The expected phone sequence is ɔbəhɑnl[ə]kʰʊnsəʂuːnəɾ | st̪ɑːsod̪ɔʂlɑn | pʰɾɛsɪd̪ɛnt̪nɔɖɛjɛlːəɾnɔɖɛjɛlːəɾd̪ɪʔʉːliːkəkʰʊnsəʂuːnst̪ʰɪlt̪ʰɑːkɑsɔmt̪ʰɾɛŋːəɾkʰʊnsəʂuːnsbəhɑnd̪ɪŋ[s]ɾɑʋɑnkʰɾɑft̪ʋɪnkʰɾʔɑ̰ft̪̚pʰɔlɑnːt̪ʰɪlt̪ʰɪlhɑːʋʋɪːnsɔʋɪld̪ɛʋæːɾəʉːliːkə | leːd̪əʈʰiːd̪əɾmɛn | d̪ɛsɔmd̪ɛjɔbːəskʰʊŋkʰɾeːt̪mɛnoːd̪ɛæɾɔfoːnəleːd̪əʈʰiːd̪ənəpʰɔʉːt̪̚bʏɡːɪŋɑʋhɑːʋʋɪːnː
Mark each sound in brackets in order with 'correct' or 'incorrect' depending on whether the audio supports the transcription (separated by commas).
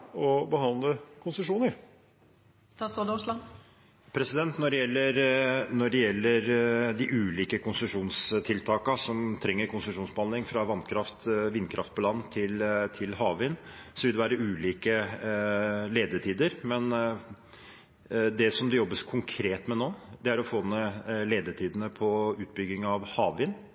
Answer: correct, incorrect